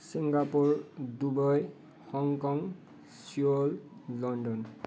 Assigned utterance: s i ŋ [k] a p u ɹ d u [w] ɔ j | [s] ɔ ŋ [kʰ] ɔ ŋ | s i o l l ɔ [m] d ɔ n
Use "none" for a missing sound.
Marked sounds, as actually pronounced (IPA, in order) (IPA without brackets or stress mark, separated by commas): ɡ, b, h, k, n